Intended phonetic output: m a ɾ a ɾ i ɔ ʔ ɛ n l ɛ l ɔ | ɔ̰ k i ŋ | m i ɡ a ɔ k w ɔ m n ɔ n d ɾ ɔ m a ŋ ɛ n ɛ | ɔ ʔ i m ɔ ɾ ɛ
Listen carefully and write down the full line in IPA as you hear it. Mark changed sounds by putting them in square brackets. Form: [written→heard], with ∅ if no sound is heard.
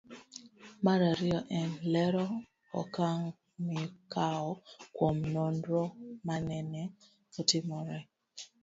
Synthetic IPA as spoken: m a ɾ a ɾ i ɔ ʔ ɛ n l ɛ [l→ɾ] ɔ | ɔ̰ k [i→a] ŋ | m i [ɡ→k] a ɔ k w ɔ m n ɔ n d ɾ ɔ m a [ŋ→n] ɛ n ɛ | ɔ [ʔ→t] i m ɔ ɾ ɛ